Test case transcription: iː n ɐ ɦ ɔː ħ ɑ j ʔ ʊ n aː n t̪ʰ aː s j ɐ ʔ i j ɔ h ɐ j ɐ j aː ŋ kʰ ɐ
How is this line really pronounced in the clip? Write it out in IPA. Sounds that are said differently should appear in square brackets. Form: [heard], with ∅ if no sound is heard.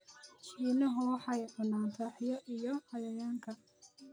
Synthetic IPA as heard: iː n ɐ ɦ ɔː ħ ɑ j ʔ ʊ n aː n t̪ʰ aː [ħ] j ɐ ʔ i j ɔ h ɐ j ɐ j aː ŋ kʰ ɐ